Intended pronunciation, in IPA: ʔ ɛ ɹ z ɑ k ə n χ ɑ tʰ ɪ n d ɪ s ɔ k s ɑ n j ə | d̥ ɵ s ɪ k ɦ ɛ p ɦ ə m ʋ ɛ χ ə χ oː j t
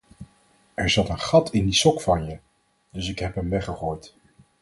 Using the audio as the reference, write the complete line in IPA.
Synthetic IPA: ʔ ɛ ɹ z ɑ t ə n χ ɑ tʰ ɪ n d i s ɔ k f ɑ n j ə | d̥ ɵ s ɪ k ɦ ɛ p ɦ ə m ʋ ɛ χ ə χ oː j t